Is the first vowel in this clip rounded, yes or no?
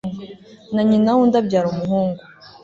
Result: no